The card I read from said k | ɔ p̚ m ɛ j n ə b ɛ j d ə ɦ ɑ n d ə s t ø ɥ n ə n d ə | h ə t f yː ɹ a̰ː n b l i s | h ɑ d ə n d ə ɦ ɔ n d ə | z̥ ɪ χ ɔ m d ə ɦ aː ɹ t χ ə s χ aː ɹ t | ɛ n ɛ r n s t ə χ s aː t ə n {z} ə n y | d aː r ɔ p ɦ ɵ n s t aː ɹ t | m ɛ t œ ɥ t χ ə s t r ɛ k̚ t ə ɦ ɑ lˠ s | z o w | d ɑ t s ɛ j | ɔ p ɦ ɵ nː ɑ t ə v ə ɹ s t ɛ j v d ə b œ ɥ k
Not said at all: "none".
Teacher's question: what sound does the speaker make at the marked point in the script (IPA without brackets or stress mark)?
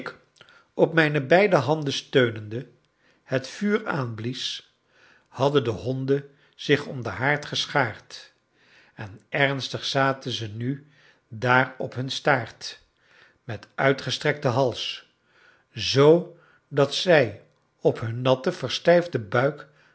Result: z